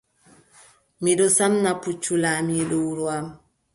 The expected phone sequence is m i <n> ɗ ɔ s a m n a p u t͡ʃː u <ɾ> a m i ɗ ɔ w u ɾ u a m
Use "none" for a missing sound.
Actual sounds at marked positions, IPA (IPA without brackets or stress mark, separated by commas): none, l